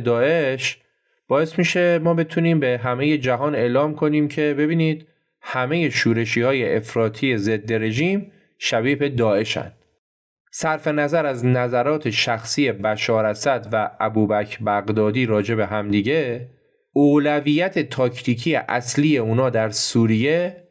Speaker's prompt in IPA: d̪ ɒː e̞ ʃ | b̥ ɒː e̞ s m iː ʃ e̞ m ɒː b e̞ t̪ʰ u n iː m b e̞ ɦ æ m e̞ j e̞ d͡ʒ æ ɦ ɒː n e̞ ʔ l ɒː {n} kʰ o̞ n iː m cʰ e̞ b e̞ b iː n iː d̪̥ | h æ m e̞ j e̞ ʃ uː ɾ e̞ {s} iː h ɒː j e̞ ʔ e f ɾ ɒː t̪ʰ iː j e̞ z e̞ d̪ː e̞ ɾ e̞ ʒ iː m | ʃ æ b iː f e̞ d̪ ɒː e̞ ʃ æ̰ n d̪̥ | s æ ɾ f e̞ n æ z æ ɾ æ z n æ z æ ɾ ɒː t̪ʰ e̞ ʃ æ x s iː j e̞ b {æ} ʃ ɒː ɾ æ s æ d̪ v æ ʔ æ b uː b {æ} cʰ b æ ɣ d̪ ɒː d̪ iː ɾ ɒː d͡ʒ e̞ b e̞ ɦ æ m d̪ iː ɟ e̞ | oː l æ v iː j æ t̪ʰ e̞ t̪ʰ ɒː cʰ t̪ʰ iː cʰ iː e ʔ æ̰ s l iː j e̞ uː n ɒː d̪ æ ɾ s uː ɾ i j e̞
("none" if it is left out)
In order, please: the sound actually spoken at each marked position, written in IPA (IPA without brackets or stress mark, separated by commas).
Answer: m, ʃ, æ, æ